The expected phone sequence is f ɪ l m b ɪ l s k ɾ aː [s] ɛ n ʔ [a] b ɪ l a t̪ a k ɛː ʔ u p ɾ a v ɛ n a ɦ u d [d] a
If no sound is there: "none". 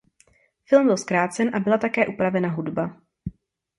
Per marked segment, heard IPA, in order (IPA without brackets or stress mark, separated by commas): t͡s, a, b